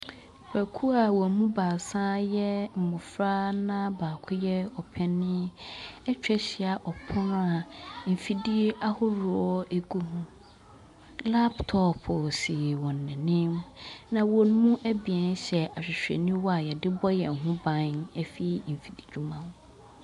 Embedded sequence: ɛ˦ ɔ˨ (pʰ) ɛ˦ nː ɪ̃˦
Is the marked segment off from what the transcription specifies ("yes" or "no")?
no